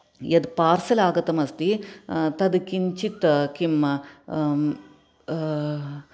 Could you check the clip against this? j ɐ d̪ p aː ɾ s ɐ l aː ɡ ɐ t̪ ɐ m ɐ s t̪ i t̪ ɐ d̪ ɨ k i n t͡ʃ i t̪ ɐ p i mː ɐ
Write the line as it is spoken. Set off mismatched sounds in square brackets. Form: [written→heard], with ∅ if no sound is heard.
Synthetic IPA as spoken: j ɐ d̪ p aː ɾ s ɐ l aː ɡ ɐ t̪ ɐ m ɐ s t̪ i t̪ ɐ d̪ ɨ k i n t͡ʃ i t̪ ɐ [p→k] i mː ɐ